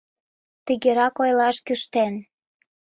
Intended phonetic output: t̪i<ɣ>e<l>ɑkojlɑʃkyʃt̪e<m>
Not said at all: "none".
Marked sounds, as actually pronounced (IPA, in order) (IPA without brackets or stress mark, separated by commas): ɣ, ɾ, n